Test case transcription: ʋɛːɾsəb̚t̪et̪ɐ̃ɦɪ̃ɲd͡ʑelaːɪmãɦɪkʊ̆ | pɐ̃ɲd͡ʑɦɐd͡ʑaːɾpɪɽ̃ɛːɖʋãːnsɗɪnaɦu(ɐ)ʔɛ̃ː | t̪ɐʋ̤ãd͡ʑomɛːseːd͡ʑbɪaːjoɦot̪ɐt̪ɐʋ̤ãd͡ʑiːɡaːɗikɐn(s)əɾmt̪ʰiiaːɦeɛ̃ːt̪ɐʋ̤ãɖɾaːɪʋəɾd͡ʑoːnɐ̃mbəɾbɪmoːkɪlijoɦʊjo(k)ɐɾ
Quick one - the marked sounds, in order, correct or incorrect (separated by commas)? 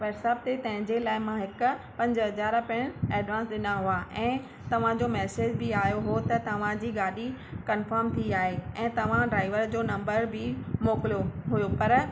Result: incorrect, incorrect, incorrect